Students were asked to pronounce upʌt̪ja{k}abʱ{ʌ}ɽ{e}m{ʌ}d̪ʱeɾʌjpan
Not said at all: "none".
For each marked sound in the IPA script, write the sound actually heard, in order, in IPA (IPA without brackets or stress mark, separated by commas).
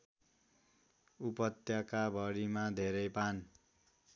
k, ʌ, i, a